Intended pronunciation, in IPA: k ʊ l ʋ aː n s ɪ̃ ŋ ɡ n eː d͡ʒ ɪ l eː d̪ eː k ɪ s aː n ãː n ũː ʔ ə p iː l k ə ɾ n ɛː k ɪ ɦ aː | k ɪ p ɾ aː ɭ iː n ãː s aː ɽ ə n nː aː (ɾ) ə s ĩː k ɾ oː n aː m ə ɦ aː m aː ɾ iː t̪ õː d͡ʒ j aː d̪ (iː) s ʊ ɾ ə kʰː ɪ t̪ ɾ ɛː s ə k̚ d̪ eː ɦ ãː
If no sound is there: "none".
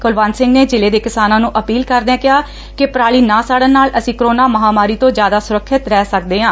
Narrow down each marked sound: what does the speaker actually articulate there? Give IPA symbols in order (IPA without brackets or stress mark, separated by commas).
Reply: l, aː